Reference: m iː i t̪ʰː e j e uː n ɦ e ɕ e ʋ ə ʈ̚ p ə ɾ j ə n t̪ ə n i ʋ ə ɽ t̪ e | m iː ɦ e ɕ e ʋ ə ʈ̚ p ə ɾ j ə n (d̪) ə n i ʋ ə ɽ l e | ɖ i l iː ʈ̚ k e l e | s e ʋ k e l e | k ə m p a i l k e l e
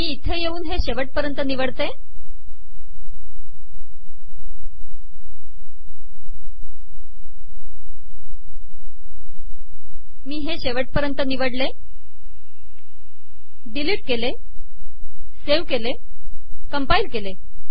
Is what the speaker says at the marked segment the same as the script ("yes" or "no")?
no